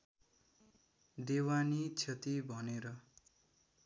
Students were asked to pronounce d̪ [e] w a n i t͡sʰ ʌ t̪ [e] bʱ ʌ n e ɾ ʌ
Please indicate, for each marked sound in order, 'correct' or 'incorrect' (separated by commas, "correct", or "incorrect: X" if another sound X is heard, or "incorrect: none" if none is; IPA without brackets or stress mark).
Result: correct, incorrect: i